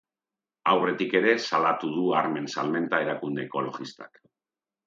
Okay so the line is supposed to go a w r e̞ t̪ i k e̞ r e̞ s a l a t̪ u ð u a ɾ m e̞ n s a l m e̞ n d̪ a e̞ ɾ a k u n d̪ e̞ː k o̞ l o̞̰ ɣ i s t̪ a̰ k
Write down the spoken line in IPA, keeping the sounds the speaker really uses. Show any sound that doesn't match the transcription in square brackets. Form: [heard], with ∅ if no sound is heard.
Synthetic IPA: a w r e̞ t̪ i k e̞ [ɾ] e̞ s a l a t̪ u ð u a ɾ m e̞ n s a l m e̞ n [t̪] a e̞ ɾ a k u n d̪ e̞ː k o̞ l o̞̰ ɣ i s t̪ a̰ k